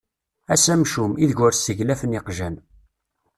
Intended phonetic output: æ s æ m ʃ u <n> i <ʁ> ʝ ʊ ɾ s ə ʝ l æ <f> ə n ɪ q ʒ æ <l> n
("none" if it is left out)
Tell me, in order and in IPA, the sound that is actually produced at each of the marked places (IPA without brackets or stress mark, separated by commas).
m, ð, f, none